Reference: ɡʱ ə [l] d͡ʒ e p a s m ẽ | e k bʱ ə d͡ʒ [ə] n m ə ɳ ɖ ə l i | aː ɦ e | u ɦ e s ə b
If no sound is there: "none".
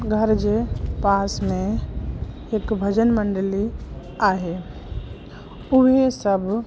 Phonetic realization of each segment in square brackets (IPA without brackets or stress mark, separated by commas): ɾ, ə